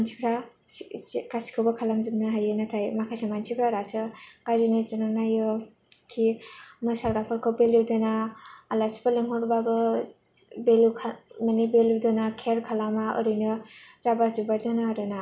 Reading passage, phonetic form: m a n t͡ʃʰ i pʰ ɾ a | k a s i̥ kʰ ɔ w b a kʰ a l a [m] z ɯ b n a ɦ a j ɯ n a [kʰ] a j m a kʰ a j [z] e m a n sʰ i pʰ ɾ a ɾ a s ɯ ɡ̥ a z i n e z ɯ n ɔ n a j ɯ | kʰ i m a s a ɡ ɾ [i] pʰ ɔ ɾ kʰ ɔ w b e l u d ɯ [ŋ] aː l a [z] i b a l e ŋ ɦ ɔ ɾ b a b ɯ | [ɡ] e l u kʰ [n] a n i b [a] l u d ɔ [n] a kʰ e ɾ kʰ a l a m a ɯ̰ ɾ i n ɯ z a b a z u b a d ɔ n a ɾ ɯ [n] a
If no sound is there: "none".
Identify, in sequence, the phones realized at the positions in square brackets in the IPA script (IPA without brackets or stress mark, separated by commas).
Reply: m, tʰ, s, a, n, s, b, m, e, n, n